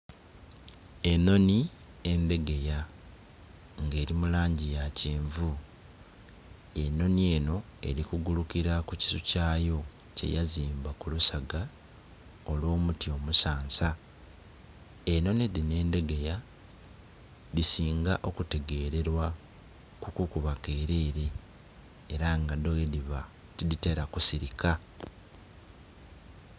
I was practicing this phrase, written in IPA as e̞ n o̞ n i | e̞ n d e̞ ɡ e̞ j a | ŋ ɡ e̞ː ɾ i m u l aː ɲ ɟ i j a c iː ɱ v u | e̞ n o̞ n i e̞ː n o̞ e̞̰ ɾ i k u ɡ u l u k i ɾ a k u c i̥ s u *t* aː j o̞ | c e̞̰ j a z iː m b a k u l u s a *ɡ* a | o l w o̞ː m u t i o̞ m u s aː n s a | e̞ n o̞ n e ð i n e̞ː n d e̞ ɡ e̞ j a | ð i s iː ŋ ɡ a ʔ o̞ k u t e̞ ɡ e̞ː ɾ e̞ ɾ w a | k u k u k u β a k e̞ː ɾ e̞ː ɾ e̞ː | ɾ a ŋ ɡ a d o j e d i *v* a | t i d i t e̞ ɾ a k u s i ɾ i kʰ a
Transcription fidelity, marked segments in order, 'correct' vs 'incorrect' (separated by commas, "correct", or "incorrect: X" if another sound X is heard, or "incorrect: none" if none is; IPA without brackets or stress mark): incorrect: c, correct, incorrect: β